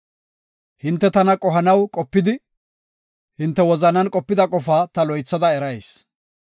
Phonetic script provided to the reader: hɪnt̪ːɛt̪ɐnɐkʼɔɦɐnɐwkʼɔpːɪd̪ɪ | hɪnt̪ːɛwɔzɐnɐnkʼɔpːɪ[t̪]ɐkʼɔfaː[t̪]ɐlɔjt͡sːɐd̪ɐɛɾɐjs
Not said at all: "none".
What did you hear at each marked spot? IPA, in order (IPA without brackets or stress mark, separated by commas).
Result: d̪, t̪